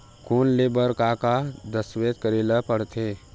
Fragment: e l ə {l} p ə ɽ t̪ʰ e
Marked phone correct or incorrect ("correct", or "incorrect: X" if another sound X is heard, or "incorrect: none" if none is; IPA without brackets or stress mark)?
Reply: incorrect: none